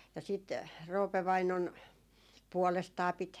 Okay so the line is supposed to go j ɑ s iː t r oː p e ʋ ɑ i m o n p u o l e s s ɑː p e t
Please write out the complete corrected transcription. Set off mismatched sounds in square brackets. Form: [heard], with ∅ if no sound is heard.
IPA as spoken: j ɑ s [i] t r oː p e ʋ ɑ i [n] o n p u [ɔ] l e s [t] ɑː p [i] t

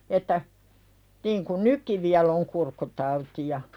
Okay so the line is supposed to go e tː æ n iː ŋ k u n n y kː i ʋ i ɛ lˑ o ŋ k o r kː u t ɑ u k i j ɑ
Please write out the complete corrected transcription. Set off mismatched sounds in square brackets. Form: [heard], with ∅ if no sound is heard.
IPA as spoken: e tː æ n iː ŋ k u n n y kː i ʋ i [æ] lˑ o ŋ k [u] r kː u t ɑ u [t] i j ɑ

